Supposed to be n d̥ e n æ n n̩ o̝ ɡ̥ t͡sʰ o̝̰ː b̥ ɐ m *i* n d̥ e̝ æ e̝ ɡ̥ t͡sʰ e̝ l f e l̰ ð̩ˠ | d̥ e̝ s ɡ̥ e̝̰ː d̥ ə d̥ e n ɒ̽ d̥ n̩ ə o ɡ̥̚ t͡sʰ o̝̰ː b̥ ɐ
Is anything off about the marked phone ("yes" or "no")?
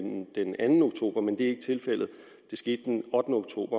yes